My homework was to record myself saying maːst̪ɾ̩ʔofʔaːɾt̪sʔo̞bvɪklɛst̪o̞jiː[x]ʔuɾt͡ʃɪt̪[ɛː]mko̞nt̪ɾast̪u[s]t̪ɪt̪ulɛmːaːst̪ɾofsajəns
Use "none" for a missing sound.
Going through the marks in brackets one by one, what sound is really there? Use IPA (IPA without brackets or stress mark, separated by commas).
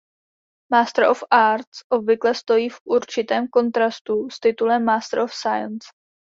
f, ɛː, s